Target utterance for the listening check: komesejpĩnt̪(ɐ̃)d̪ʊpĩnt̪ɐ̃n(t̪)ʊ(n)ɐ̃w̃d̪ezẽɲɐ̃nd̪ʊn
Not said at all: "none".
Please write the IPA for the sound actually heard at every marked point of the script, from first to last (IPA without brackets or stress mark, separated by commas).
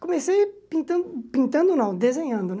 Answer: ɐ̃, d̪, n